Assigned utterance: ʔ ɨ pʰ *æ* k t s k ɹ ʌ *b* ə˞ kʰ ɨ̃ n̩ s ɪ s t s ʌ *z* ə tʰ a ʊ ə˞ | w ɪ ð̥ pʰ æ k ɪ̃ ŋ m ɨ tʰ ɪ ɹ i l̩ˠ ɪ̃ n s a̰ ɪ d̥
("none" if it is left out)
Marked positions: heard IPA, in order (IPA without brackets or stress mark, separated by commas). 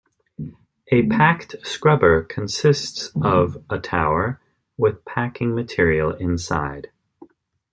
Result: æ, b, v